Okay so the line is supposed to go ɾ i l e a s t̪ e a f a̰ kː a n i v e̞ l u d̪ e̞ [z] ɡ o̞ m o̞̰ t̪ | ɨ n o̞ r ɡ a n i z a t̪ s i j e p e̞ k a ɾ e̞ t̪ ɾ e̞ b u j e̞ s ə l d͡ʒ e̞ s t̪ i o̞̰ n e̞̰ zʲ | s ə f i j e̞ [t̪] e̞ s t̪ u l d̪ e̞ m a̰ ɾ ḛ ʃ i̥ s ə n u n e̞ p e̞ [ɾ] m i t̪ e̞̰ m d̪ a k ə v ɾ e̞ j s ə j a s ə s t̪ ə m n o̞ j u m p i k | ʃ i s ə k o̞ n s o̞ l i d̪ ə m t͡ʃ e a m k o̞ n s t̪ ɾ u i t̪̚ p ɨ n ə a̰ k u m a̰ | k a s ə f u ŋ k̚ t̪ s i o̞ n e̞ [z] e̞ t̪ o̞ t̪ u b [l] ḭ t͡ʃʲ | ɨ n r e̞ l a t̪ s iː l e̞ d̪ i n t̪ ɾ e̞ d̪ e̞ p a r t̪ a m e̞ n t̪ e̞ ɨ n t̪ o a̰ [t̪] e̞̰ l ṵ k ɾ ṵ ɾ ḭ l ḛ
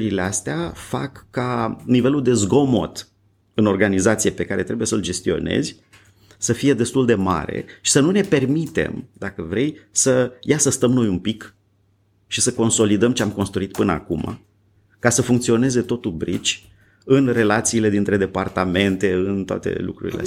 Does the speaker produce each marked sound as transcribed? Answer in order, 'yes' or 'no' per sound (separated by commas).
yes, no, no, yes, no, yes